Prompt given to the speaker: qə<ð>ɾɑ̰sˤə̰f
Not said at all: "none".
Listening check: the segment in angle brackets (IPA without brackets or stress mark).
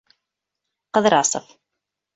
ð